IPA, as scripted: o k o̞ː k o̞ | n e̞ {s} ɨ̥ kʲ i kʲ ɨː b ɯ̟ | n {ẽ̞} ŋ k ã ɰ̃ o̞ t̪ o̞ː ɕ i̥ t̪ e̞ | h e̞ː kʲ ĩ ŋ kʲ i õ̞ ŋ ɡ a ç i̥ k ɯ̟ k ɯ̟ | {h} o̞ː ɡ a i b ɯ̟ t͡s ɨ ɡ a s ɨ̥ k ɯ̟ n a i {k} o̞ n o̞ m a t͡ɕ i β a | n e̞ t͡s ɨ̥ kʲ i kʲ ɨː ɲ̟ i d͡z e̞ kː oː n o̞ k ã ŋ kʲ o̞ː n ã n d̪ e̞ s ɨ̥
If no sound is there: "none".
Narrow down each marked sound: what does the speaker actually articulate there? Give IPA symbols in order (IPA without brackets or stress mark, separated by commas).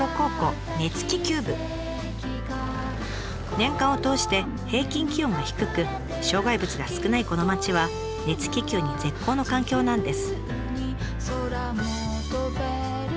t͡s, ẽ̞, ɕ, k